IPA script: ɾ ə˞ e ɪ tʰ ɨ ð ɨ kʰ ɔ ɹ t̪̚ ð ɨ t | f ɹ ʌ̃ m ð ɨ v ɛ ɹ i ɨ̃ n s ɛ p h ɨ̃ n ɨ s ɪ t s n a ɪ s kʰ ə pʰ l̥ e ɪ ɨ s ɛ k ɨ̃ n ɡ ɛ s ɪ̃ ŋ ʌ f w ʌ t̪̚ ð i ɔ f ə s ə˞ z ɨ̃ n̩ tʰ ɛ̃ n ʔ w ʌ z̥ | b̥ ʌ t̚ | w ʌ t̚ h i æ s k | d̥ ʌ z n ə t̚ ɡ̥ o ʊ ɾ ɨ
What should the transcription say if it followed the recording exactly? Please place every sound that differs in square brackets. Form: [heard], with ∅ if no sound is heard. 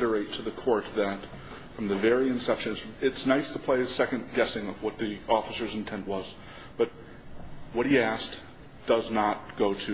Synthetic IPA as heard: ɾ ə˞ e ɪ tʰ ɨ ð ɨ kʰ ɔ ɹ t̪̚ ð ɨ t | f ɹ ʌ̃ m ð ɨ v ɛ ɹ i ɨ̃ n s ɛ p [ʃ] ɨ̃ n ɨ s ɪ t s n a ɪ s [tʰ] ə pʰ l̥ e ɪ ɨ s ɛ k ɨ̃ n ɡ ɛ s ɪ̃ ŋ ʌ [v] w ʌ t̪̚ ð i ɔ f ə s ə˞ z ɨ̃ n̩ tʰ ɛ̃ n ʔ w ʌ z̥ | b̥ ʌ t̚ | w ʌ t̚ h i æ s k | d̥ ʌ z n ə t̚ ɡ̥ o ʊ ɾ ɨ